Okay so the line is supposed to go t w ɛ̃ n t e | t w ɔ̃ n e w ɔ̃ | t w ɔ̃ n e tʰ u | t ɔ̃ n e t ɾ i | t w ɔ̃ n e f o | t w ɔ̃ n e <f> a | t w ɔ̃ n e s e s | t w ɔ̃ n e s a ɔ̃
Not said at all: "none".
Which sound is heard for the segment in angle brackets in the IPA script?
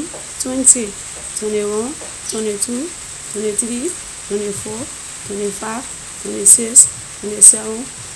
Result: f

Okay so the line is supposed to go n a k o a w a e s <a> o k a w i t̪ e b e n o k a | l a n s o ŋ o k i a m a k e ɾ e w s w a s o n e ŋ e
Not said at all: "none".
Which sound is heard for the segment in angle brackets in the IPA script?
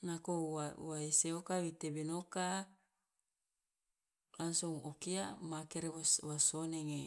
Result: e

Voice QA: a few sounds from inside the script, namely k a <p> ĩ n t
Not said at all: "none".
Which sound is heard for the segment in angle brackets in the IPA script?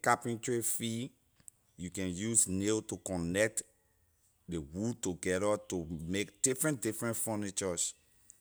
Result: p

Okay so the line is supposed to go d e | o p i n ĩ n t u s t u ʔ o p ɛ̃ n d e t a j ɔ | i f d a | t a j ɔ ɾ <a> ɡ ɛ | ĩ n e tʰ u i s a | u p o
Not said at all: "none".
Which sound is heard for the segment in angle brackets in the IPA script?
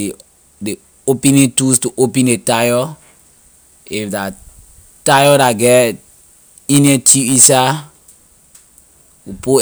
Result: a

